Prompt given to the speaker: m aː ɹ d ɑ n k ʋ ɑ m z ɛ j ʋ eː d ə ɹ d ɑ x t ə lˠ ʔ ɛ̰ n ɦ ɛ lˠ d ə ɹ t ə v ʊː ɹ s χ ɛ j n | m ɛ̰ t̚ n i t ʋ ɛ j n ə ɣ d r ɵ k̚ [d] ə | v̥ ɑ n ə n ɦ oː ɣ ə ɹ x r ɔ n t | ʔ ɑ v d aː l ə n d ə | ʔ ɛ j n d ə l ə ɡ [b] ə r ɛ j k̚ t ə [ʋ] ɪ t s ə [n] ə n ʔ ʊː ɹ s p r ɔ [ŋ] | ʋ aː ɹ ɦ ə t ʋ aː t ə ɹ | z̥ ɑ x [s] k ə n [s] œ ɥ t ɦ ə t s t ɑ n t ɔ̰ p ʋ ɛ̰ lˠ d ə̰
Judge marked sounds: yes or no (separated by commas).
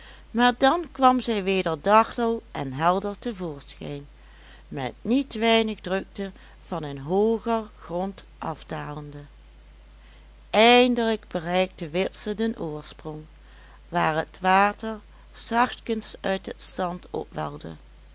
no, yes, yes, no, yes, no, yes